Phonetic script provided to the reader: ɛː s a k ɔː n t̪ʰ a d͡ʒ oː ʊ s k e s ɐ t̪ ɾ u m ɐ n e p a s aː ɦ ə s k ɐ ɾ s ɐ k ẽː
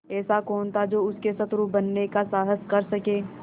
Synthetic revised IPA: ɛː s a k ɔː n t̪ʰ a d͡ʒ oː ʊ s k e s ɐ t̪ ɾ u b ɐ nː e k a s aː ɦ ə s k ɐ ɾ s ɐ k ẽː